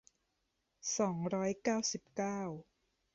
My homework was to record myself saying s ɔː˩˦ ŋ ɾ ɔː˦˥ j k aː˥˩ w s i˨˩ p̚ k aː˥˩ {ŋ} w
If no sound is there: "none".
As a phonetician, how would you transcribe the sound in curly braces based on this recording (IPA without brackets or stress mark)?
none